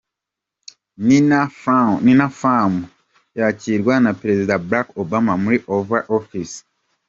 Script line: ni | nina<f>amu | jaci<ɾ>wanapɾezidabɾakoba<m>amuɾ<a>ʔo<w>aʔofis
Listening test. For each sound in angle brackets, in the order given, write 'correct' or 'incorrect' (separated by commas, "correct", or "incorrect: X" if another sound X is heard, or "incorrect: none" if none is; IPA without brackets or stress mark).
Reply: correct, correct, correct, incorrect: i, incorrect: v